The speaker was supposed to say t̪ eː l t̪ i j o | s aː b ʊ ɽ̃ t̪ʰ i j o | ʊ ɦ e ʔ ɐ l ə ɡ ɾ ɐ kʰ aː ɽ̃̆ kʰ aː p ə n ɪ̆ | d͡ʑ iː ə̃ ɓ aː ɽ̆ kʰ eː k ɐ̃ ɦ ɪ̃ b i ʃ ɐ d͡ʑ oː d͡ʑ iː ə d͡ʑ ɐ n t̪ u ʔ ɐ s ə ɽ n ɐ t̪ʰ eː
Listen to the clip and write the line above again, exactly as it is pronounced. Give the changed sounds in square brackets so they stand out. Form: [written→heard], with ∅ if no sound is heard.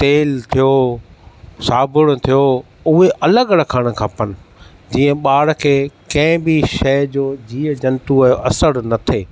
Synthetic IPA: t̪ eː l [t̪→t̪ʰ] i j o | s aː b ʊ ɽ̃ t̪ʰ i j o | ʊ ɦ e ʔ ɐ l ə ɡ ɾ ɐ kʰ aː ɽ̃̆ kʰ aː p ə n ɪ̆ | d͡ʑ iː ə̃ ɓ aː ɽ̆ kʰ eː k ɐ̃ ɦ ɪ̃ b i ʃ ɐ d͡ʑ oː d͡ʑ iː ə d͡ʑ ɐ n t̪ u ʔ ɐ s ə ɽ n ɐ t̪ʰ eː